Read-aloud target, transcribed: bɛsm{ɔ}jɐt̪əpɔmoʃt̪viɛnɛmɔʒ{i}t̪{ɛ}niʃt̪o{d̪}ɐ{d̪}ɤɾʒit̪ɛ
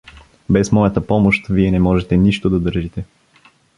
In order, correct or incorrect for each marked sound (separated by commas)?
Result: correct, incorrect, correct, correct, correct